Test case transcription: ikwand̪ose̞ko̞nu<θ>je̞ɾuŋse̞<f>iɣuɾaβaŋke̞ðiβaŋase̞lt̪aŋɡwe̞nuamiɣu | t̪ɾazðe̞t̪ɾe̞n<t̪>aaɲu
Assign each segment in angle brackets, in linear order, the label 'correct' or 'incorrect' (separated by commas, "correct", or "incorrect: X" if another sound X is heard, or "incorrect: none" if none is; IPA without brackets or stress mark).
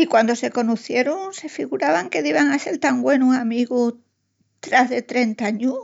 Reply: correct, correct, correct